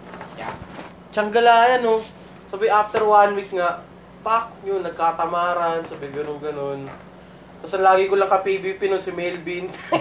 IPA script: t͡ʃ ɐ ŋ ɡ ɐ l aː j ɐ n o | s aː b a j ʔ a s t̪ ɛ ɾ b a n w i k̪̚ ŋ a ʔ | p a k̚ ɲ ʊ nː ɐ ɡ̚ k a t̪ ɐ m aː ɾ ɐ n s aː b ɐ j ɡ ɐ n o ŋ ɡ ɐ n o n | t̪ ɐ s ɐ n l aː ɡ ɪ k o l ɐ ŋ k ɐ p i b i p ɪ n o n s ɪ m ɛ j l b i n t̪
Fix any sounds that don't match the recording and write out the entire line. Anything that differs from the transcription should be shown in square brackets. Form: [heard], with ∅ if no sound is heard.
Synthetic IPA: t͡ʃ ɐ ŋ ɡ ɐ l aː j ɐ n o | s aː b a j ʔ a [f] t̪ ɛ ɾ [w] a n w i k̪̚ ŋ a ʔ | p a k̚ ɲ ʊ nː ɐ ɡ̚ k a t̪ ɐ m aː ɾ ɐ n s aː b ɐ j ɡ ɐ n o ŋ ɡ ɐ n o n | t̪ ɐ s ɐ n l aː ɡ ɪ k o l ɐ ŋ k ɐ p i b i p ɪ n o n s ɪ m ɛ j l b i n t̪